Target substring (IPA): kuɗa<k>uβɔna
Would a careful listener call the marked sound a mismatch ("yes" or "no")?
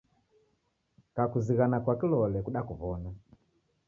no